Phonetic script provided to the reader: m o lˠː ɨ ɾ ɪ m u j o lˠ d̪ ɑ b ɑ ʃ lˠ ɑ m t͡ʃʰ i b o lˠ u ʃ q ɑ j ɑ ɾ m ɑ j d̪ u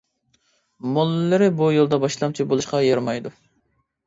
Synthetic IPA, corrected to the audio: m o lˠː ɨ ɾ ɪ b u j o lˠ d̪ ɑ b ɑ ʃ lˠ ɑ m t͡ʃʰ i b o lˠ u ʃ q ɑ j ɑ ɾ m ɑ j d̪ u